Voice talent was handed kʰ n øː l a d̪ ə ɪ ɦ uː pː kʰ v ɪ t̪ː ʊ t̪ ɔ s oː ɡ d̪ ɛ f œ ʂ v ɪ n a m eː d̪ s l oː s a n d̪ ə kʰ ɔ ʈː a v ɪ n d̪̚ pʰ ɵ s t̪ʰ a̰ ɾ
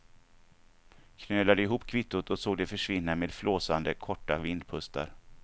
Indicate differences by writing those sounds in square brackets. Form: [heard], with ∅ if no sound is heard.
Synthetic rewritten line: kʰ n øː l a d̪ ə ɪ ɦ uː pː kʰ v ɪ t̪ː ʊ t̪ ɔ s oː ɡ d̪ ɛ f œ ʂ v ɪ [nː] a m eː d̪ [f] l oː s a n d̪ ə kʰ ɔ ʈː a v ɪ n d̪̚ pʰ ɵ s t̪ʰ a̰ ɾ